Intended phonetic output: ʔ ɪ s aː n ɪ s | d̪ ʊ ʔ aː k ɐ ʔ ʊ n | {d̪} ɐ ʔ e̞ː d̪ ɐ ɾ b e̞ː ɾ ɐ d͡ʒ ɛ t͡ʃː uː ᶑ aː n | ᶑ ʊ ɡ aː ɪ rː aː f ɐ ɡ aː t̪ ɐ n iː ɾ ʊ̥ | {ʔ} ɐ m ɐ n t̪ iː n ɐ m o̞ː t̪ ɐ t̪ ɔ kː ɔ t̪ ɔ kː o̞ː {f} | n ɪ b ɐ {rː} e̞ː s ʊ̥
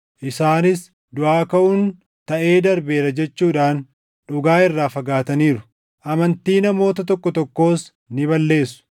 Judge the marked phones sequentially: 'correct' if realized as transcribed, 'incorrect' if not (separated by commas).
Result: incorrect, correct, incorrect, incorrect